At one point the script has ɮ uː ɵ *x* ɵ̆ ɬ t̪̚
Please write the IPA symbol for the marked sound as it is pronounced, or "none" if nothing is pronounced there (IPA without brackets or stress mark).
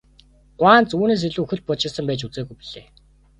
x